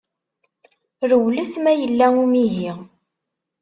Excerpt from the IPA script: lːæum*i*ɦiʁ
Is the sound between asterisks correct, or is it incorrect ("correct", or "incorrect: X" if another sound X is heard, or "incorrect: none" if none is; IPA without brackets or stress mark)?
correct